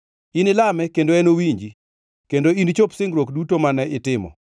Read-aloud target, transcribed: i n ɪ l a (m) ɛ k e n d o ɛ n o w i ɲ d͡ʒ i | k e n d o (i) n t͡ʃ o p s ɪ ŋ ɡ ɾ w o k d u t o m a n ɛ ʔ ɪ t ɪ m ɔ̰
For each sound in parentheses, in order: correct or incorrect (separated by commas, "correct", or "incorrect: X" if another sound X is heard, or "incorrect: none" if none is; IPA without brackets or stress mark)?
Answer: correct, correct